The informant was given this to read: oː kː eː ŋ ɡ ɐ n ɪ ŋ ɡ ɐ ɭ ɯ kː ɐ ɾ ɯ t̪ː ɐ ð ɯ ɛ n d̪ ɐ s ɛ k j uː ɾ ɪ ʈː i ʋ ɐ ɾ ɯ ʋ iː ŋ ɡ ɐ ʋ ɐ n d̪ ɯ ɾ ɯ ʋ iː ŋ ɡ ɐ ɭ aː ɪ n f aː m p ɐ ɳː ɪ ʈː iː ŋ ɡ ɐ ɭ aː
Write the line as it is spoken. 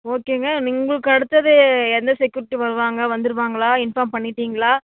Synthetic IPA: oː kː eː ŋ ɡ ɐ n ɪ ŋ ɡ ɐ ɭ ɯ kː ɐ ɽ ɯ t̪ː ɐ ð ɯ ɛ n d̪ ɐ s ɛ k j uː ɾ ɪ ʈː i ʋ ɐ ɾ ɯ ʋ aː ŋ ɡ ɐ ʋ ɐ n d̪ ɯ ɾ ɯ ʋ aː ŋ ɡ ɐ ɭ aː ɪ n f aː m p ɐ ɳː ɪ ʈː iː ŋ ɡ ɐ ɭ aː